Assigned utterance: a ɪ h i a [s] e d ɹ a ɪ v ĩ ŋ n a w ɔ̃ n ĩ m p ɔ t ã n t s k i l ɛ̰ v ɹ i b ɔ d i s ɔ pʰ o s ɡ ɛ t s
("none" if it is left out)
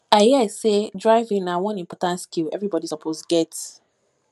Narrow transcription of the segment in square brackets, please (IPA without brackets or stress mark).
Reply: s